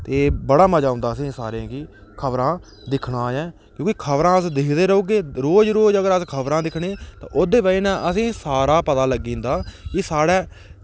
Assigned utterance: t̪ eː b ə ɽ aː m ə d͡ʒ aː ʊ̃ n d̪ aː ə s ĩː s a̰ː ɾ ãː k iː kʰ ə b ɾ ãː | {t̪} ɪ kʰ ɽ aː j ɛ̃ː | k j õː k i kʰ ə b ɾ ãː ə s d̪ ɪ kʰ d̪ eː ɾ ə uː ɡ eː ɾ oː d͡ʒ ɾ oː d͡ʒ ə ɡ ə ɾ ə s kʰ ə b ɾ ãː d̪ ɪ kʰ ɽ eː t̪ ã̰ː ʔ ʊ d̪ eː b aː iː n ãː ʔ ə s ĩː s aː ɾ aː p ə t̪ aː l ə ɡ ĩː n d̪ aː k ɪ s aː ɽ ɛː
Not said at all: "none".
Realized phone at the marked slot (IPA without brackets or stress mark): d̪